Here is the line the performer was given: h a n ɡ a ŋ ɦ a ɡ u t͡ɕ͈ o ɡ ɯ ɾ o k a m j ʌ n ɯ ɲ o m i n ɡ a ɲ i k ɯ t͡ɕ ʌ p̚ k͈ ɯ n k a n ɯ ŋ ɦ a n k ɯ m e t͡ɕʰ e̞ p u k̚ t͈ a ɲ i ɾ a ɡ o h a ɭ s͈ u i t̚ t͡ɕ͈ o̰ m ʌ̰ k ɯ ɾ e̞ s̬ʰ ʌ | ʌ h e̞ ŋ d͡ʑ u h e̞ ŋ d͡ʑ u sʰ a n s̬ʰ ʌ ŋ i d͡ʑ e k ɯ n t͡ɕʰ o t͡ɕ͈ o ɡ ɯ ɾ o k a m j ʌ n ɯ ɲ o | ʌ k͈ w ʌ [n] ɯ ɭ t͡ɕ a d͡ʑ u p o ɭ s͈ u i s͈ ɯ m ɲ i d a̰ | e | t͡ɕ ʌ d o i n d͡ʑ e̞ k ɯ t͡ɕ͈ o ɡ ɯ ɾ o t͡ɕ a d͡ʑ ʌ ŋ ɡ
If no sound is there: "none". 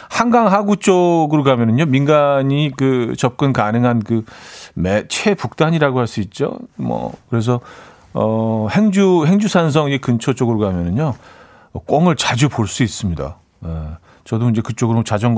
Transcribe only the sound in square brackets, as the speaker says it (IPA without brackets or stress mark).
ŋ